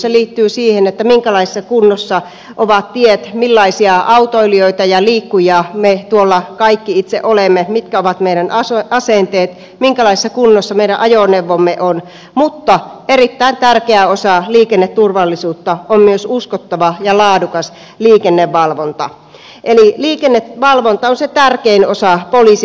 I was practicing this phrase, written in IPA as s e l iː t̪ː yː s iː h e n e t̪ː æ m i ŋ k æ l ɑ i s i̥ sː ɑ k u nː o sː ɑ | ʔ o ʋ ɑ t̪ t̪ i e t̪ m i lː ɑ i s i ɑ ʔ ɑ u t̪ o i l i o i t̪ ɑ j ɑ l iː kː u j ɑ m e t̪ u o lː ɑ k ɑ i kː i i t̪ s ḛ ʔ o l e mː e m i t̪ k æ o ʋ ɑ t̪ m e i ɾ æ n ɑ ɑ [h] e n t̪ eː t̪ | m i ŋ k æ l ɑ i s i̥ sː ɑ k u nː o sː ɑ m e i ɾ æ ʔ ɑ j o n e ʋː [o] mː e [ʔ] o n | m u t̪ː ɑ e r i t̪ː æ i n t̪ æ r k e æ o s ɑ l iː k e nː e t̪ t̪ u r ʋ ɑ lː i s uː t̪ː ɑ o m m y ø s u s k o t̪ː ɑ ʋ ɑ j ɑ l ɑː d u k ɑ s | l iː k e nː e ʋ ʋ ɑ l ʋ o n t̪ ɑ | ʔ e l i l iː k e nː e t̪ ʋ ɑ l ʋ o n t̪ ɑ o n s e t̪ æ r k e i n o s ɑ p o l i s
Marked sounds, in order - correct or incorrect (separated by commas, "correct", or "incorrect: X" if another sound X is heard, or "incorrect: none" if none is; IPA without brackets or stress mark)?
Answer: incorrect: s, correct, correct